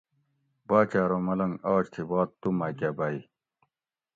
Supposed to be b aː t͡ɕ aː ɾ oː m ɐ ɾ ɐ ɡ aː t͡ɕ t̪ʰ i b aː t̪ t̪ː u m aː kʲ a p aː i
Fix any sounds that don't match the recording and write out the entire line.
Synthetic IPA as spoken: b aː t͡ɕ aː ɾ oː m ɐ l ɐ ŋ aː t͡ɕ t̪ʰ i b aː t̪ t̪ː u m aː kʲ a b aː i